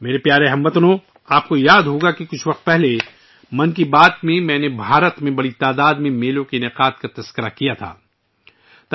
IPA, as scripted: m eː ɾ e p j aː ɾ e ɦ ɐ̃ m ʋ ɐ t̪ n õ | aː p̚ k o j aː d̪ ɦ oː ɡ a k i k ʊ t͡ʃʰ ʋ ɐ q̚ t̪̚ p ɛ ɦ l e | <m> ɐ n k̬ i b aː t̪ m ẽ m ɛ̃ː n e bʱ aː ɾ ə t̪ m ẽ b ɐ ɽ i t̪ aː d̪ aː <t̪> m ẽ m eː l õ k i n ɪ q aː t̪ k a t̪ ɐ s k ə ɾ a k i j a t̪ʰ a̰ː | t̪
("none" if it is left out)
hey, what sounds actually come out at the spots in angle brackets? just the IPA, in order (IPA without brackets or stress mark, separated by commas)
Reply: m, d̪